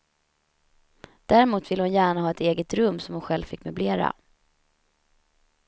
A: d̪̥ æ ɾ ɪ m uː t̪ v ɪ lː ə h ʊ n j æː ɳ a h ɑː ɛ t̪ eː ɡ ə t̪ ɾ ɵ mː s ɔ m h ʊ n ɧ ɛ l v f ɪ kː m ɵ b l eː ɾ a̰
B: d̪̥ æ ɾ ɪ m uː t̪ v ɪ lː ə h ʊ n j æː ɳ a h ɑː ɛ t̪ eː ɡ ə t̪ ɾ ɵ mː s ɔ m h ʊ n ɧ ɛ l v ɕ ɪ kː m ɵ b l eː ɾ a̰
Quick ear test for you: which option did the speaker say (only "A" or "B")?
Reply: A